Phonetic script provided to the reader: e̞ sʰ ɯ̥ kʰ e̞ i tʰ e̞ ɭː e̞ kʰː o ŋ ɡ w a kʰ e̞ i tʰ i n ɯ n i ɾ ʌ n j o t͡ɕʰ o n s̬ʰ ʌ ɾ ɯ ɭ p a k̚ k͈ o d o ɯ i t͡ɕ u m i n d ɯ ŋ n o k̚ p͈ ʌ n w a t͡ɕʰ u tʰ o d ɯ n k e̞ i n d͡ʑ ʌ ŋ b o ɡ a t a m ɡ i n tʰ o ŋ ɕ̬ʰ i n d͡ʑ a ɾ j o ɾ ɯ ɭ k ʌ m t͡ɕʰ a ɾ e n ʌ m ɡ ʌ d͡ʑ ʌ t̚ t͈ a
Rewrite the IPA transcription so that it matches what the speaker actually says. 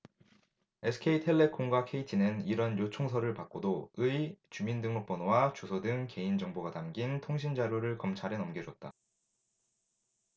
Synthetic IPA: e̞ sʰ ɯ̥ kʰ e̞ i tʰ e̞ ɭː e̞ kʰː o ŋ ɡ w a kʰ e̞ i tʰ i n ɯ n i ɾ ʌ n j o t͡ɕʰ o ŋ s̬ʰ ʌ ɾ ɯ ɭ p a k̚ k͈ o d o ɯ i t͡ɕ u m i n d ɯ ŋ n o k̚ p͈ ʌ n w a t͡ɕ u sʰ o d ɯ ŋ k e̞ i n d͡ʑ ʌ ŋ b o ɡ a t a m ɡ i n tʰ o ŋ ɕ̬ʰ i n d͡ʑ a ɾ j o ɾ ɯ ɭ k ʌ m t͡ɕʰ a ɾ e n ʌ m ɡ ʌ d͡ʑ ʌ t̚ t͈ a